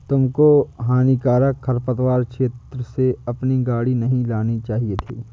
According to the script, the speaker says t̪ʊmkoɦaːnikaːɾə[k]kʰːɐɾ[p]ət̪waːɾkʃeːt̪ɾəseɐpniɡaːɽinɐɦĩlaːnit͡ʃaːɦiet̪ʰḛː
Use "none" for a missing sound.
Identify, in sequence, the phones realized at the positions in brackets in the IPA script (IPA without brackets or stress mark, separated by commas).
k, p